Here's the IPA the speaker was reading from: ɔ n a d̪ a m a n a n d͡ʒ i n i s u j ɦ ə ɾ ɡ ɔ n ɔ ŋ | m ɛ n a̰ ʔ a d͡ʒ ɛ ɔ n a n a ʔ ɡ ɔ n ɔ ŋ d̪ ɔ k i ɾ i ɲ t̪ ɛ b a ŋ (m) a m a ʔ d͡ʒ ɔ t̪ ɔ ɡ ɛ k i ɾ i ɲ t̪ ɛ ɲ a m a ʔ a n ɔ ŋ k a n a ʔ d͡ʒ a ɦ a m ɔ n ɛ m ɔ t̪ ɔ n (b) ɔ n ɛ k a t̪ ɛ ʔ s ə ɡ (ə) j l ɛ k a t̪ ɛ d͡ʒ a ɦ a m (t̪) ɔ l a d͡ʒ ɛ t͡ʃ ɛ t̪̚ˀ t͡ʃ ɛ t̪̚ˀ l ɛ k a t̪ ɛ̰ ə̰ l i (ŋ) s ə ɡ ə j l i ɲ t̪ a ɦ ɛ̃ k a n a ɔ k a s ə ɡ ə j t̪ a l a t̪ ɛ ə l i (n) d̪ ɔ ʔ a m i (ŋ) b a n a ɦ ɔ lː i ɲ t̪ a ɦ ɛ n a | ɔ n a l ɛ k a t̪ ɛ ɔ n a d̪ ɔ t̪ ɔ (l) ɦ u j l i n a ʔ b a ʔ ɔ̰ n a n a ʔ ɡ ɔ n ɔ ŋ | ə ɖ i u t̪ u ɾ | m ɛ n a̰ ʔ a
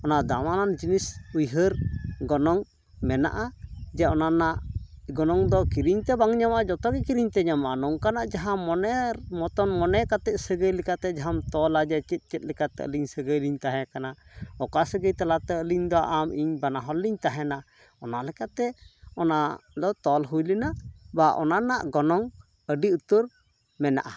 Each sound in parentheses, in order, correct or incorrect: incorrect, incorrect, correct, correct, incorrect, incorrect, incorrect, correct

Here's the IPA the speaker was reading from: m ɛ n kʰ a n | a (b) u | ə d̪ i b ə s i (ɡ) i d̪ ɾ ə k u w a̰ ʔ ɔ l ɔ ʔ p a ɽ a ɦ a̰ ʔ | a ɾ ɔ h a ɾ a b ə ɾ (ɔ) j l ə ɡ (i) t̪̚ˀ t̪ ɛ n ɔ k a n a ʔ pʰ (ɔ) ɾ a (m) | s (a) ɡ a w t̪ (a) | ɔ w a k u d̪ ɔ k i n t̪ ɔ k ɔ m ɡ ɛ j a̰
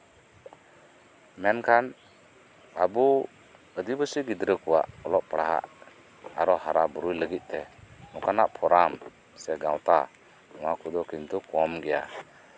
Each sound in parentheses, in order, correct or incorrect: correct, correct, incorrect, correct, correct, correct, incorrect, correct

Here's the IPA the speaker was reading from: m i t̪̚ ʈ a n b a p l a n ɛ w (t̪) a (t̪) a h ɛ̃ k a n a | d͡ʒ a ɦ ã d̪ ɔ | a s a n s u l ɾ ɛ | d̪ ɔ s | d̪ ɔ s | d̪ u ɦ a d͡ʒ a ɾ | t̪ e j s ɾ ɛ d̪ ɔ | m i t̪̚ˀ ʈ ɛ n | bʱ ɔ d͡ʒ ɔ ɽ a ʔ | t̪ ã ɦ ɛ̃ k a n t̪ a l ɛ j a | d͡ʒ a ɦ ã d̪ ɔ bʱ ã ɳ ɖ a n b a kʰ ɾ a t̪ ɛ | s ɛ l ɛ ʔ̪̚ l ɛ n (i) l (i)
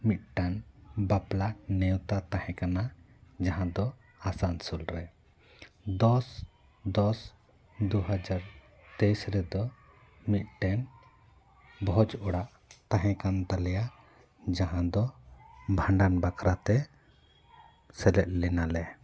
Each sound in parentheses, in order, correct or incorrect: correct, correct, incorrect, incorrect

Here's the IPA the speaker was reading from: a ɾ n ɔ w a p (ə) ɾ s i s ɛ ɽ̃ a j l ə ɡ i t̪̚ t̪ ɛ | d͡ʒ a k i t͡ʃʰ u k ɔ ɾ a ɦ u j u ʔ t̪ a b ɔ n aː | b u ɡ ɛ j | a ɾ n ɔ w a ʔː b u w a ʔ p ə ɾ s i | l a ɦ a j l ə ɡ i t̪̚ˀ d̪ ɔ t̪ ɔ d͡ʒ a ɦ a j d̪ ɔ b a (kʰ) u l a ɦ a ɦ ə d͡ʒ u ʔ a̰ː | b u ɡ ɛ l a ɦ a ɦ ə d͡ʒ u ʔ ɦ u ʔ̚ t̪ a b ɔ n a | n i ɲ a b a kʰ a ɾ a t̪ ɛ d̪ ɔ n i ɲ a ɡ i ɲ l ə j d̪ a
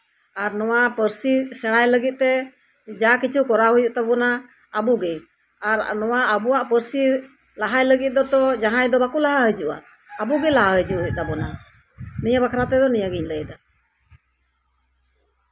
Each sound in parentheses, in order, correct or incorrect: correct, incorrect

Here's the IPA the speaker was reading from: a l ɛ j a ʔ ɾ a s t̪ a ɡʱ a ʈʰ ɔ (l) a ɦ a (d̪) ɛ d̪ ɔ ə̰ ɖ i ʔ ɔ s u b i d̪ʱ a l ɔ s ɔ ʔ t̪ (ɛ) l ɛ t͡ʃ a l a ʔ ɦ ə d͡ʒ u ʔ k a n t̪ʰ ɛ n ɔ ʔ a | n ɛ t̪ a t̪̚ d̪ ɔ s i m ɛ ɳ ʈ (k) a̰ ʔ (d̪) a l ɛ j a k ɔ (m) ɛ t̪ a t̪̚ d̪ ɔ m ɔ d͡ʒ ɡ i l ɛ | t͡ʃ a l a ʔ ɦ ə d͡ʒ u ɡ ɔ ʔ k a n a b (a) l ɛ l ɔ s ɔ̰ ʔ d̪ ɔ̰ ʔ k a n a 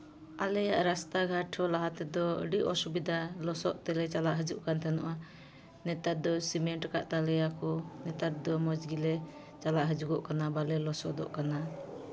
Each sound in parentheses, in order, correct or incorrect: correct, incorrect, correct, correct, incorrect, incorrect, correct

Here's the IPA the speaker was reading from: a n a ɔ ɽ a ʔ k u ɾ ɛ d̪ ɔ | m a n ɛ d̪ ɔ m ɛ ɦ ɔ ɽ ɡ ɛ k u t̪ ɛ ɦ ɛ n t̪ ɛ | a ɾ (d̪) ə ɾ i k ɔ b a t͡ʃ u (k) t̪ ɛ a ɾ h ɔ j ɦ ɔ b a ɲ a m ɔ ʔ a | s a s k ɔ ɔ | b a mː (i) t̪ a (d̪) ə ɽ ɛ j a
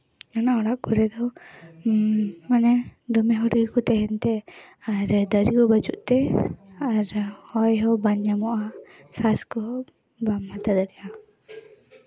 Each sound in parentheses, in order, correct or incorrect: correct, incorrect, incorrect, correct

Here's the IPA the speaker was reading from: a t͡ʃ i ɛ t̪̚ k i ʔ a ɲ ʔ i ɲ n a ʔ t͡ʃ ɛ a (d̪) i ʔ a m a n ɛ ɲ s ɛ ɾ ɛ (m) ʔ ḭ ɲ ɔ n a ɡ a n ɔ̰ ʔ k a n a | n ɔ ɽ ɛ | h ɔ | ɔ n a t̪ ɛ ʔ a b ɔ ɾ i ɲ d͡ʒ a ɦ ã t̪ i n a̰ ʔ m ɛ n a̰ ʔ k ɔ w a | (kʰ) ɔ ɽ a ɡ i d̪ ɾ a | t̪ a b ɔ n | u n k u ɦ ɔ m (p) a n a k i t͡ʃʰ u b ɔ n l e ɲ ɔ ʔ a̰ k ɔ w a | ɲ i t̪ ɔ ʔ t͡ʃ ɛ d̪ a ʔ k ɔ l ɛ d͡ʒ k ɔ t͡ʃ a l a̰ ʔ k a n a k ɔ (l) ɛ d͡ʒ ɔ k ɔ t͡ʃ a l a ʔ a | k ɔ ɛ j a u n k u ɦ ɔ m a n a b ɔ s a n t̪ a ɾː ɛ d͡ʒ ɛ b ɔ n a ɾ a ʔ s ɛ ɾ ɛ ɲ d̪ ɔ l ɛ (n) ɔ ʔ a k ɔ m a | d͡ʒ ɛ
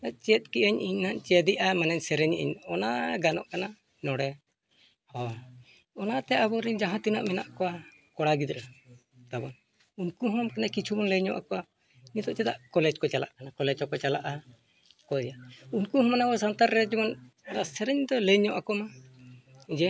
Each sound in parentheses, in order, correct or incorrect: correct, incorrect, incorrect, incorrect, correct, incorrect

